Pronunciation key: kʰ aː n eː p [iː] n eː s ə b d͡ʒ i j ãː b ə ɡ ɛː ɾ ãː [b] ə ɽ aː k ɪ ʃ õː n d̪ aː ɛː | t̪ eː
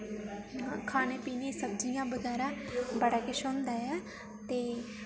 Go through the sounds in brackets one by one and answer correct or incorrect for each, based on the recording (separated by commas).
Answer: correct, correct